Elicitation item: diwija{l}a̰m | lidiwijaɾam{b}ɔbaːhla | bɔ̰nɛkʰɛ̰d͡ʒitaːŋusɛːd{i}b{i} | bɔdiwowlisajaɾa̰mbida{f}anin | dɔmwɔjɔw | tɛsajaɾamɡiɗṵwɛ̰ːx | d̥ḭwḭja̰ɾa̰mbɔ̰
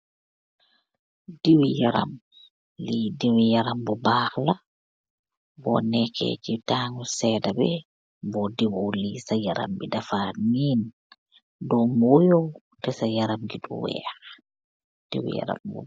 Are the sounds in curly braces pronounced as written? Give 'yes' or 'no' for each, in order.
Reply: no, yes, no, no, yes

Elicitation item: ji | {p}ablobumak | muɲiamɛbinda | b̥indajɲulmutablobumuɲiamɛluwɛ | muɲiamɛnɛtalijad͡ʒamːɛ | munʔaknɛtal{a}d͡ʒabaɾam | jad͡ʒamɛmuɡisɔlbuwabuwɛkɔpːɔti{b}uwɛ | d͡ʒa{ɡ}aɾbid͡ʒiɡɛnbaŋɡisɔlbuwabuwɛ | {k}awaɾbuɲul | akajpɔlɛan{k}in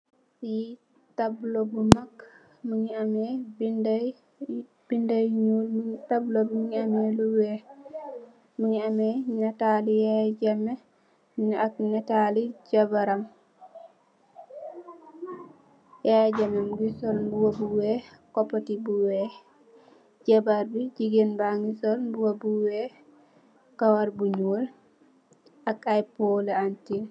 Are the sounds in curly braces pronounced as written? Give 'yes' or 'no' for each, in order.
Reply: no, no, yes, no, yes, no

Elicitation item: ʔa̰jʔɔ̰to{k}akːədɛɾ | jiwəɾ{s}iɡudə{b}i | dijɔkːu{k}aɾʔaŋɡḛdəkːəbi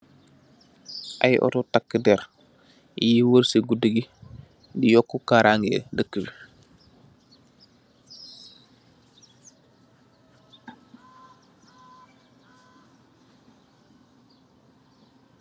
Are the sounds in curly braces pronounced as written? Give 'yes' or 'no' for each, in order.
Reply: no, yes, no, yes

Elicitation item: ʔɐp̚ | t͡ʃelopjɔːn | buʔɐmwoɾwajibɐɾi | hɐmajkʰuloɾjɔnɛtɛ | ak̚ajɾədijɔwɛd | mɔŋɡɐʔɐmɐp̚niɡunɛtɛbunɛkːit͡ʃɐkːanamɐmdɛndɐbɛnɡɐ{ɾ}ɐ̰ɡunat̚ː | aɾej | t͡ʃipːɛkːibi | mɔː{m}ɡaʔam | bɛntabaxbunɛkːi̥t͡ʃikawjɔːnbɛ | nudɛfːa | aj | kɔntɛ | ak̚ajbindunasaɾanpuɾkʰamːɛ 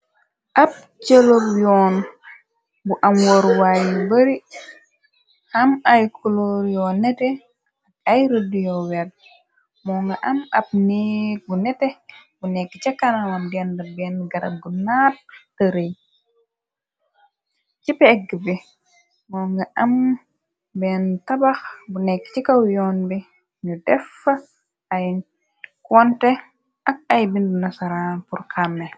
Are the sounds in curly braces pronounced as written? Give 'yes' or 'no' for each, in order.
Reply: yes, no

